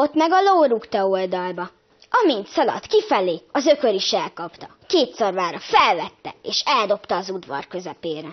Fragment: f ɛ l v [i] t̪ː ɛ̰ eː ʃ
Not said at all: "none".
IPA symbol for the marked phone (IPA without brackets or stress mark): ɛ